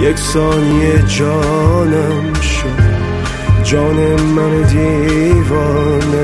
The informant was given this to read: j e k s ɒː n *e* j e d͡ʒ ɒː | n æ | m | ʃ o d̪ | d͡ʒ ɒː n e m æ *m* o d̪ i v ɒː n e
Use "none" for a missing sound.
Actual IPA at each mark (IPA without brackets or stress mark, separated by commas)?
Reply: i, n